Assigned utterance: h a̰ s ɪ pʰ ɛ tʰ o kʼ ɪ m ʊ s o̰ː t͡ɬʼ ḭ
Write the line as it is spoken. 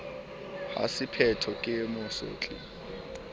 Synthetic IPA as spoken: h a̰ s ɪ pʰ ɛ tʰ ɔ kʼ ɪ m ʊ s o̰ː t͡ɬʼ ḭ

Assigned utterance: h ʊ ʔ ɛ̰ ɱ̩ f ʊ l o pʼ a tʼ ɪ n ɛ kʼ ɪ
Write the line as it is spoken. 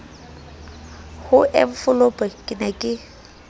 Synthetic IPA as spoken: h ʊ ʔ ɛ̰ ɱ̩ f ʊ l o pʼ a kʼ ɪ n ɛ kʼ ɪ

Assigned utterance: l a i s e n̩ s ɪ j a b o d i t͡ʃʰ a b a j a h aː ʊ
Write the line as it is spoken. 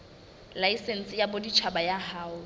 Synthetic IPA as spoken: l a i s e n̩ s ɪ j a b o d i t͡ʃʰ a b a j a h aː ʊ

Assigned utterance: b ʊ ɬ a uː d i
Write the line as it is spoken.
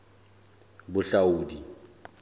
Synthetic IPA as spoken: b ʊ ɬ a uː d i

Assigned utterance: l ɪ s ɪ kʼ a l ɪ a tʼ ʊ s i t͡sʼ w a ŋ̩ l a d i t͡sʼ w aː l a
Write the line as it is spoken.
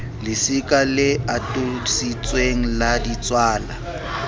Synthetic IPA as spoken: l ɪ s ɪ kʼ a l ɪ a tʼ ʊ s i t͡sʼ w e ŋ̩ l a d i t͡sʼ w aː l a

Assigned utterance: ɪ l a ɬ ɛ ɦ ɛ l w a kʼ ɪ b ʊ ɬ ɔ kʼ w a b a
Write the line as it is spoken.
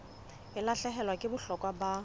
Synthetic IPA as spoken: ɪ l a ɬ ɛ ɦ ɛ l w a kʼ ɪ b ʊ ɬ ɔ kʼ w a b a

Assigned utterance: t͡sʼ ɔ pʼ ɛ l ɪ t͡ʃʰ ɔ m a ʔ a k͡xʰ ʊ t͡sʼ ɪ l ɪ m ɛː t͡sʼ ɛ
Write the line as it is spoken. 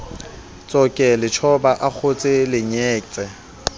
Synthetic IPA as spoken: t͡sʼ ɔ kʼ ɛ l ɪ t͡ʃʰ ɔ b a ʔ a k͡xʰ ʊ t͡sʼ ɪ l ɪ ɲ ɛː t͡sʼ ɛ

